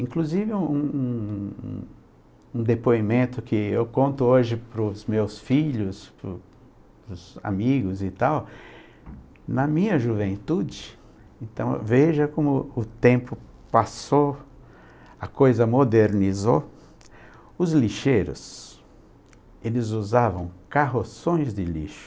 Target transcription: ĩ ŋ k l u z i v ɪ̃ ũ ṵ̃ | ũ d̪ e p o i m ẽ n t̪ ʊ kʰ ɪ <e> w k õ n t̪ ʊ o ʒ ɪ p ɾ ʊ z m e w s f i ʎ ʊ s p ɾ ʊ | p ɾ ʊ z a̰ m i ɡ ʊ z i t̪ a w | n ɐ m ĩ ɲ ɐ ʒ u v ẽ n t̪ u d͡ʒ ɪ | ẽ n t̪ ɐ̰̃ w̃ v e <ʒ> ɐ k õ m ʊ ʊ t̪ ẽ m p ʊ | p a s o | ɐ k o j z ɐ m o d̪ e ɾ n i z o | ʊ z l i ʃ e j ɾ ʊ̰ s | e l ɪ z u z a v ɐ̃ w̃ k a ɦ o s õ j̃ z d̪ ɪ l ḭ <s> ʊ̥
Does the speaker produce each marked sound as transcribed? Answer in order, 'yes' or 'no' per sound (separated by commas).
yes, yes, no